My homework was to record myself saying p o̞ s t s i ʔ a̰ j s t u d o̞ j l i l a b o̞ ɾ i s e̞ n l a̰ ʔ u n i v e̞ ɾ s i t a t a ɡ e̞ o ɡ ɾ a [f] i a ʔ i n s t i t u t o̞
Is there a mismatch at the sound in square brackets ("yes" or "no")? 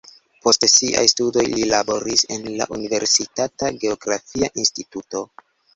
no